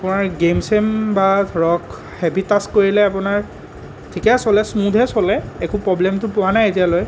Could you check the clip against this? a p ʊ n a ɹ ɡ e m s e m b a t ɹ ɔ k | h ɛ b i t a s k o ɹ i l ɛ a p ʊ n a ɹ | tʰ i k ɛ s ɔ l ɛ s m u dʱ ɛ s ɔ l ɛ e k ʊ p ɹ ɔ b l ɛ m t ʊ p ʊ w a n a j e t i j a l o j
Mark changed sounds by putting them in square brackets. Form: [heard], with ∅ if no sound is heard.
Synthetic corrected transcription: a p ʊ n a ɹ ɡ e m s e m b a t ɹ ɔ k | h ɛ b i t a s k o ɹ i l ɛ a p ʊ n a ɹ | tʰ i k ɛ s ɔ l ɛ s m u dʱ ɛ s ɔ l ɛ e k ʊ p ɹ ɔ b l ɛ m t ʊ p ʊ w a n a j e t i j a l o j